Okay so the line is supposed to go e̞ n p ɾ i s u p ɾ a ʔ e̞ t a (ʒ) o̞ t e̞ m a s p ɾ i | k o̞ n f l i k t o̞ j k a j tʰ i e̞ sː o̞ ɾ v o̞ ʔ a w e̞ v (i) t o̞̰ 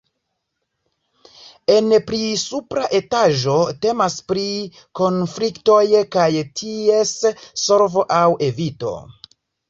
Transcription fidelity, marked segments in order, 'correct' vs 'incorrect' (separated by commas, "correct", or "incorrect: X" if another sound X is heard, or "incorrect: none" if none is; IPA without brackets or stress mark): correct, correct